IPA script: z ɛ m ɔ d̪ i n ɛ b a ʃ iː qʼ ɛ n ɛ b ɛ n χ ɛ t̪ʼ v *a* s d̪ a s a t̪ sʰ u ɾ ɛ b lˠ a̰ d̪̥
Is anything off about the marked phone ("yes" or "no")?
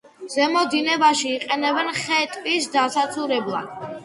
yes